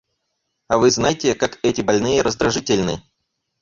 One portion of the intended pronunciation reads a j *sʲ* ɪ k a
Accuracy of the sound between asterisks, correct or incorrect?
incorrect